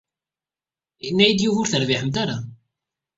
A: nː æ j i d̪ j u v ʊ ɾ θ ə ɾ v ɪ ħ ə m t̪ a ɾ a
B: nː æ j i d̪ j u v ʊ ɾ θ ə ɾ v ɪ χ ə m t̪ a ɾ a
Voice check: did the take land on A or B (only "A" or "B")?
A